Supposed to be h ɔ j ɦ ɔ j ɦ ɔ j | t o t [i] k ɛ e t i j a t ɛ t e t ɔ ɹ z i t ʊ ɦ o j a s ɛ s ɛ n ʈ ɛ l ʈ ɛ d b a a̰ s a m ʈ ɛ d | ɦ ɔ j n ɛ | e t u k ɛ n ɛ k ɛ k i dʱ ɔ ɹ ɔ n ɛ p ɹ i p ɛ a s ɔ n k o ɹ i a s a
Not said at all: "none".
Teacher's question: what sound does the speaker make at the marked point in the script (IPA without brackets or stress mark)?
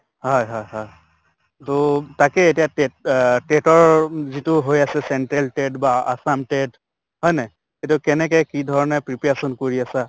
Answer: a